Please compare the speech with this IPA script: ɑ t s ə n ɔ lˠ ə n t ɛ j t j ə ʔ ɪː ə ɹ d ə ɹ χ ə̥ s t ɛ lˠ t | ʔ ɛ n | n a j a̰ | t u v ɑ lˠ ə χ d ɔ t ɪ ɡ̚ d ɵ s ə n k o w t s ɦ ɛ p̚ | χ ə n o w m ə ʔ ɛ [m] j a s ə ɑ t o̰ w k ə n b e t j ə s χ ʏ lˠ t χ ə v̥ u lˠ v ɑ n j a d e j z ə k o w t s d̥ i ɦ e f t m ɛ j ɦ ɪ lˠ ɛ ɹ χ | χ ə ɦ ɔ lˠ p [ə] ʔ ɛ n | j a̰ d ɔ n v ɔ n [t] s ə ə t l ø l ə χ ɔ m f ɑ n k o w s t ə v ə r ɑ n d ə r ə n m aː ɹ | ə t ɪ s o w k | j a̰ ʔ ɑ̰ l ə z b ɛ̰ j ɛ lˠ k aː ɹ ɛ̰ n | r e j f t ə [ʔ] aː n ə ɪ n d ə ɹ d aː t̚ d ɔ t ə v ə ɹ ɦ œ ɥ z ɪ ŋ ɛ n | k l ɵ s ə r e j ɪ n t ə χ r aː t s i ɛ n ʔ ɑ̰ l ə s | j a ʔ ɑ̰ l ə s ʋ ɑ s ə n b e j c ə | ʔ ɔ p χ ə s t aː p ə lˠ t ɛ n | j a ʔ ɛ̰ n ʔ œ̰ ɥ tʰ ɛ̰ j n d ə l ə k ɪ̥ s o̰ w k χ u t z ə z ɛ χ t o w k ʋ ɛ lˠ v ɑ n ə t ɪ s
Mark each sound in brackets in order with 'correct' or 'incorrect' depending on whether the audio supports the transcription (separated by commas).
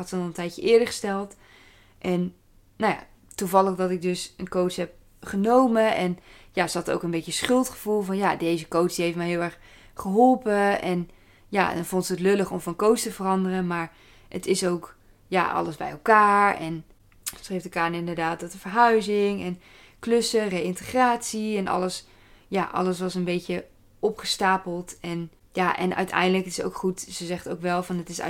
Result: incorrect, correct, correct, incorrect